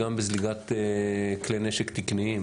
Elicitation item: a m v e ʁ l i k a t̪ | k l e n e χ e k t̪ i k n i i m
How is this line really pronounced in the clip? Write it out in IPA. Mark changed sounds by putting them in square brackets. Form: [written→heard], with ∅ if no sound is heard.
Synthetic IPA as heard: a m [v→b] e [ʁ→z] l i [k→ɡ] a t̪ | k l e n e [χ→ʃ] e k t̪ i k n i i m

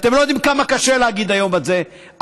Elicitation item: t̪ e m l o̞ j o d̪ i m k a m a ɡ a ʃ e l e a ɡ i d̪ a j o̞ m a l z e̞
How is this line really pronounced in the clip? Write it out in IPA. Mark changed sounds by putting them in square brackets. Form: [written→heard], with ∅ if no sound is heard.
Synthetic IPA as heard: t̪ e m l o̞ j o d̪ i m k a m a [ɡ→k] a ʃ e l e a ɡ i d̪ a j o̞ m a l z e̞

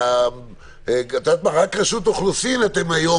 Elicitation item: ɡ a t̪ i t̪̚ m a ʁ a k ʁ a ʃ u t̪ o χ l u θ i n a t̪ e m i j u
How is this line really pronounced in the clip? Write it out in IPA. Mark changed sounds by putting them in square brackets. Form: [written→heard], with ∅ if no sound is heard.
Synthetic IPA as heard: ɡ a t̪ [i→a] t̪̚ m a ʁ a k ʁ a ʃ u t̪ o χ l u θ i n a t̪ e m [i→a] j [u→o]

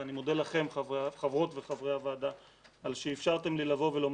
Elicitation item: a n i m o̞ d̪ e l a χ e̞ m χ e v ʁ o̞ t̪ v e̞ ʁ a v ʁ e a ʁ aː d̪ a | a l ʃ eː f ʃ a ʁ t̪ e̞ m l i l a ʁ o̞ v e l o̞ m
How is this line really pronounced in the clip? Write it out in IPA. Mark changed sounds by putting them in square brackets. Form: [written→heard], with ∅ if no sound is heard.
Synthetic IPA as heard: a n i m o̞ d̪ e l a χ e̞ m χ [e→a] v ʁ o̞ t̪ v e̞ [ʁ→χ] a v ʁ e a [ʁ→v] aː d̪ a | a l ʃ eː f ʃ a ʁ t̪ e̞ m l i l a [ʁ→v] o̞ v e l o̞ m

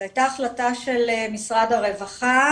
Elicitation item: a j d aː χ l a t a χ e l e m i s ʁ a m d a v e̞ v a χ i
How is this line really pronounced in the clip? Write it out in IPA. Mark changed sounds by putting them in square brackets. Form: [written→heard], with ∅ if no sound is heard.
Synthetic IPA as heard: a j [d→t] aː χ l a t a [χ→ʃ] e l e m i s ʁ a [m→∅] d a [v→ʁ] e̞ v a χ [i→a]

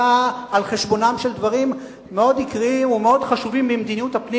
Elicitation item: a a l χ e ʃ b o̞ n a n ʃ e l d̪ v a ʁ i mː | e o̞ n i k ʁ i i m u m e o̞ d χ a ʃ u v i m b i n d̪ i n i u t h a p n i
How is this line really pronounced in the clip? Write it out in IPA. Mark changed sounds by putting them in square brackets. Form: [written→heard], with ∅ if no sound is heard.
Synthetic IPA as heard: a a l χ e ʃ b o̞ n a [n→m] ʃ e l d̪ v a ʁ i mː | e o̞ [n→d] i k ʁ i i m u m e o̞ d χ a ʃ u v i m b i [n→m] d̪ i n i u t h a p n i

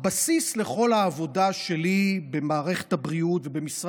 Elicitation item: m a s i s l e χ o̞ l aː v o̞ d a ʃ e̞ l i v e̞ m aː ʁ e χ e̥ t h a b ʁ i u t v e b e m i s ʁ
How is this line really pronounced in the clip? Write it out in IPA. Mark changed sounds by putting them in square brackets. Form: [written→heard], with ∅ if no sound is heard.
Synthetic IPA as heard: [m→b] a s i s l e χ o̞ l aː v o̞ d a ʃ e̞ l i [v→b] e̞ m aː ʁ e χ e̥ t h a b ʁ i u t v e b e m i s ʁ

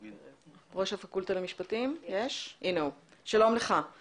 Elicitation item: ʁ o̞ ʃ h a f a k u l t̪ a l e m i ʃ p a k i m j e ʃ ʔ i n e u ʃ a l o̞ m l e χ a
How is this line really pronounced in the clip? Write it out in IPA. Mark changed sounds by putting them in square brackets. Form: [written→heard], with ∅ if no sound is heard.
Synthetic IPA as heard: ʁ o̞ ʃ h a f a k u l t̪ a l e m i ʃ p a [k→t] i m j e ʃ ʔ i n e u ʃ a l o̞ m l e χ a

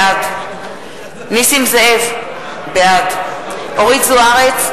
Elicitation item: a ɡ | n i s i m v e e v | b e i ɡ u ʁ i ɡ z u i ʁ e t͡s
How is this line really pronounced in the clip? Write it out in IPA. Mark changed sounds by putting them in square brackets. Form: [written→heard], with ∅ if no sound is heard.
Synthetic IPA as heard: a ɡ | n i s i m [v→z] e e v | b e [i→a] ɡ [u→o] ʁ i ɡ z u [i→a] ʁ e t͡s

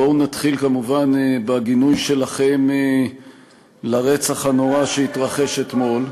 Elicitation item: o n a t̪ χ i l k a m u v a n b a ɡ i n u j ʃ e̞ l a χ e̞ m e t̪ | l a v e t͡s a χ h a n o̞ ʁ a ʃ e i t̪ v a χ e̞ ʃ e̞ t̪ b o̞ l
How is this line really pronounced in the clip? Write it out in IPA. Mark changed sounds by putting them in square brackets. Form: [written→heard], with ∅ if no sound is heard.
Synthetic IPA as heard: o n a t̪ χ i l k a m u v a n b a ɡ i n u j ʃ e̞ l a χ e̞ m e [t̪→∅] | l a [v→ʁ] e t͡s a χ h a n o̞ ʁ a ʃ e i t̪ [v→ʁ] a χ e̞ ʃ e̞ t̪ [b→m] o̞ l

